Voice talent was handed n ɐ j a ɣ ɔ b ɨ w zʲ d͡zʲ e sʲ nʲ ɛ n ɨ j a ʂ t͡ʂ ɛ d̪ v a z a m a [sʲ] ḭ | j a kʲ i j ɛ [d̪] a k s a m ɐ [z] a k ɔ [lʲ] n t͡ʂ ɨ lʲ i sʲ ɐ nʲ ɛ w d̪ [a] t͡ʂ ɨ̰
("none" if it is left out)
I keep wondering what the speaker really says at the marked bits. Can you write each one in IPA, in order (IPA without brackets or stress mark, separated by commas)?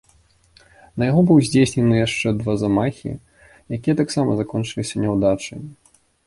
xʲ, t̪, z, none, a